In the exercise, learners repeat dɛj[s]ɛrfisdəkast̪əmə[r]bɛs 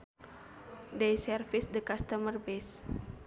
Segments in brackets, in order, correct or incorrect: correct, correct

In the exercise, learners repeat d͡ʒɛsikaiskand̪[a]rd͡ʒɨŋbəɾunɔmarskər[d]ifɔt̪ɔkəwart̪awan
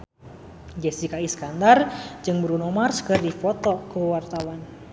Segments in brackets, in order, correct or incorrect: correct, correct

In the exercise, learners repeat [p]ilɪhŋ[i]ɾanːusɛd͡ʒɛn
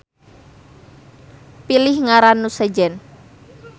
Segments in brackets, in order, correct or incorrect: correct, incorrect

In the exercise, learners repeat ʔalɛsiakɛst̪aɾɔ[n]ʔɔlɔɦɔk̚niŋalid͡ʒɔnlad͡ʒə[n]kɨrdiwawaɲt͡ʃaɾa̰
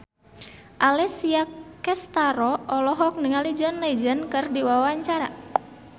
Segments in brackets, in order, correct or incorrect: incorrect, correct

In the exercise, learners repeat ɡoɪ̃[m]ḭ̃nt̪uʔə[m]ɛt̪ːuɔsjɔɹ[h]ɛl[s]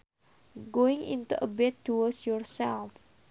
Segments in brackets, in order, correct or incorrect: incorrect, incorrect, incorrect, incorrect

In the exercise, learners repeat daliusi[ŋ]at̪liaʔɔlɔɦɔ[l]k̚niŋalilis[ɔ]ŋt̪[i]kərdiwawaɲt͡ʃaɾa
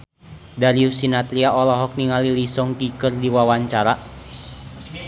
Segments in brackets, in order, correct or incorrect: incorrect, incorrect, correct, correct

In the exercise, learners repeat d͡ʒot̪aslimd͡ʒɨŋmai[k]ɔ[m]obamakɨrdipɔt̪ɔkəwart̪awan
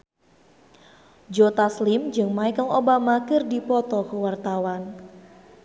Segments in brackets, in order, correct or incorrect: correct, incorrect

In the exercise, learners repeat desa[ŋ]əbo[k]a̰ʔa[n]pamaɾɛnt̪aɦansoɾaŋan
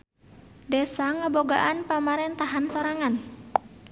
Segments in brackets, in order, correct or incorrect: correct, incorrect, correct

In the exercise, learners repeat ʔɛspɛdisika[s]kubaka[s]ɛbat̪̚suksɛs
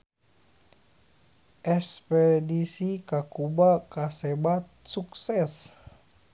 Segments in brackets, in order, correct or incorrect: incorrect, correct

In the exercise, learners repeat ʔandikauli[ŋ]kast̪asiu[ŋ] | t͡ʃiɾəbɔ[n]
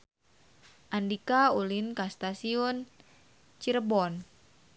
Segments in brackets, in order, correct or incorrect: incorrect, incorrect, correct

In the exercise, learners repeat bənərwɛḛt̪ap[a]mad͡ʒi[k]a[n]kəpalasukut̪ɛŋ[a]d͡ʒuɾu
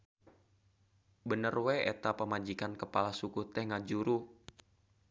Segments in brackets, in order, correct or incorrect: incorrect, correct, correct, correct

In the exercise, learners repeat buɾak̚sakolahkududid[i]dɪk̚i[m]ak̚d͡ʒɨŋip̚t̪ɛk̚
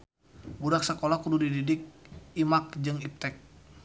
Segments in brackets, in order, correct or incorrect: correct, correct

